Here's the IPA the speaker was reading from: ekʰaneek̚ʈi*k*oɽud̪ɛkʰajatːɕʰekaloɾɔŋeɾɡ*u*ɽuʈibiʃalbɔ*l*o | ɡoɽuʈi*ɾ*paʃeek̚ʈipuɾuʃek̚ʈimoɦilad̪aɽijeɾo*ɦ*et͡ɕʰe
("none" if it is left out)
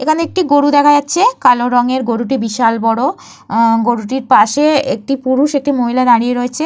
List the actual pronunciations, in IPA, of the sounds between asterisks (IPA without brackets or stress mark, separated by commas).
ɡ, o, ɽ, ɾ, none